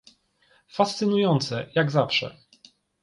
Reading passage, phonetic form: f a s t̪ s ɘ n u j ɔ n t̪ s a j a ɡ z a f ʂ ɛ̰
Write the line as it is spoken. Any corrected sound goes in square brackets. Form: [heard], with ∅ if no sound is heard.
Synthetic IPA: f a s t̪ s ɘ n u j ɔ n t̪ s [ɛ] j a ɡ z a f ʂ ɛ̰